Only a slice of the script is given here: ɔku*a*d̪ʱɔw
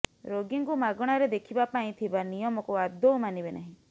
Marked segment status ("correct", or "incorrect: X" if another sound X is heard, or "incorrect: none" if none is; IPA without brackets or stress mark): correct